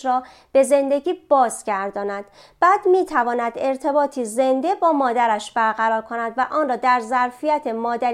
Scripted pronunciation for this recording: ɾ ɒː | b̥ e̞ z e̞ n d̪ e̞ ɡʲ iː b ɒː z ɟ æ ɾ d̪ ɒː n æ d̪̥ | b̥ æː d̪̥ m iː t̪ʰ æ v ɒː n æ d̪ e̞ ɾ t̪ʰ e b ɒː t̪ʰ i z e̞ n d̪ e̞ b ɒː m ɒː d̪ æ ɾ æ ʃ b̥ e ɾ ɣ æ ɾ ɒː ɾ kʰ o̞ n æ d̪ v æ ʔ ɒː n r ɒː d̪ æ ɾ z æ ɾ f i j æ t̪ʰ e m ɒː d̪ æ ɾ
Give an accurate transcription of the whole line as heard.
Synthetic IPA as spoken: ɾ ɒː | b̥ e̞ z e̞ n d̪ e̞ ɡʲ iː b ɒː z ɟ æ ɾ d̪ ɒː n æ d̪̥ | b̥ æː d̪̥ m iː t̪ʰ æ v ɒː n æ d̪ e̞ ɾ t̪ʰ e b ɒː t̪ʰ i z e̞ n d̪ e̞ b ɒː m ɒː d̪ æ ɾ æ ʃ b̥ æ ɾ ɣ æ ɾ ɒː ɾ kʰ o̞ n æ d̪ v æ ʔ ɒː n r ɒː d̪ æ ɾ z æ ɾ f i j æ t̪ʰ e m ɒː d̪ æ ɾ